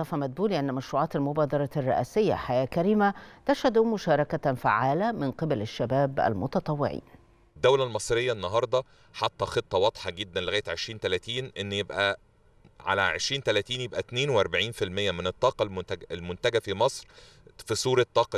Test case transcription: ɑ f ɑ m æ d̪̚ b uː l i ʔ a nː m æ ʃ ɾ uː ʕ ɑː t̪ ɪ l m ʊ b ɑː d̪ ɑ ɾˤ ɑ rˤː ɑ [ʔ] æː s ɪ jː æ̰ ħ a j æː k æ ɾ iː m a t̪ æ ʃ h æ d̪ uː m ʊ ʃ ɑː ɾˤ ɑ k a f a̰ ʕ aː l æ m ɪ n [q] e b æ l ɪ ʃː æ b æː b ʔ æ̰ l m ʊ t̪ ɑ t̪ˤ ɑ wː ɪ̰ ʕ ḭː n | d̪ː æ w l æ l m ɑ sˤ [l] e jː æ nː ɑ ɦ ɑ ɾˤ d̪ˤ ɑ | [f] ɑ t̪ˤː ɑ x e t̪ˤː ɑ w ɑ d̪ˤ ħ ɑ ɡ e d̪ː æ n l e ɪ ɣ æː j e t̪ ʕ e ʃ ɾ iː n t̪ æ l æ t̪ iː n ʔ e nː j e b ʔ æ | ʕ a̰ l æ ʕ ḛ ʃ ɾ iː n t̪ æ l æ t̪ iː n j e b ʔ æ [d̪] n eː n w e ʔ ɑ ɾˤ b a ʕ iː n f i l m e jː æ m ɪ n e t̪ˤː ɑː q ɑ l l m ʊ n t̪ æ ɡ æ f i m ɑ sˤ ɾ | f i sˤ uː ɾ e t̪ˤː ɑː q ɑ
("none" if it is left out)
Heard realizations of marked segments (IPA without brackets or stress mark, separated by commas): ʔ, q, ɾ, ħ, t̪